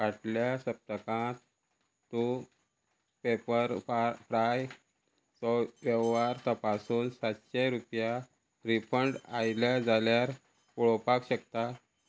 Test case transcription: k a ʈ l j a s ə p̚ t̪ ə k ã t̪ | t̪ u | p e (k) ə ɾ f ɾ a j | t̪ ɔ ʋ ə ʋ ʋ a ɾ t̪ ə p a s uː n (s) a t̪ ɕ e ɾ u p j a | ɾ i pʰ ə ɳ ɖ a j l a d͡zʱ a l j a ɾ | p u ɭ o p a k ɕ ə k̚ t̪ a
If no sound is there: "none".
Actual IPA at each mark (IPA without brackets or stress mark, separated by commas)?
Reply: p, s